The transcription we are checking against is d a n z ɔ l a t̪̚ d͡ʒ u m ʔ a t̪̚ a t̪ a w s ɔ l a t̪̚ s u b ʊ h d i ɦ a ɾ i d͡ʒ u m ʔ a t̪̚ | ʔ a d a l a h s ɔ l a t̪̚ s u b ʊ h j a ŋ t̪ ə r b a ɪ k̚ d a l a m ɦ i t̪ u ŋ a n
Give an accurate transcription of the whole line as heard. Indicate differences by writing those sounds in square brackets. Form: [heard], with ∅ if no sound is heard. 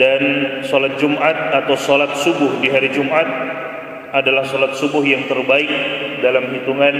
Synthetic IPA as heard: d a n [s] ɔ l a t̪̚ d͡ʒ u m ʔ a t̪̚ a t̪ a w s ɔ l a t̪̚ s u b ʊ h d i ɦ a ɾ i d͡ʒ u m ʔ a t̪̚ | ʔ a d a l a h s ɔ l a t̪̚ s u b ʊ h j a ŋ t̪ ə r b a ɪ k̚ d a l a m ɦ i t̪ u ŋ a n